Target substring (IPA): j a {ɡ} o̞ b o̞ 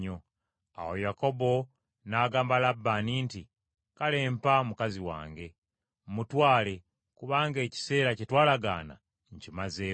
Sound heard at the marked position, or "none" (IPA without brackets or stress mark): k